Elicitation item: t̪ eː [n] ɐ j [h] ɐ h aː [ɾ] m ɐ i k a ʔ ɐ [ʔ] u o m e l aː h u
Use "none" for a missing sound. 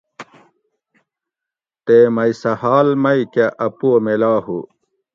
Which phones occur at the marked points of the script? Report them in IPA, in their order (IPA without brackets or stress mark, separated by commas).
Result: m, s, l, p